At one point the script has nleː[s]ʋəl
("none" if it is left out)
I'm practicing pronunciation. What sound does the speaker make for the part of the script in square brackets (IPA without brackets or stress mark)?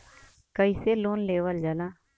none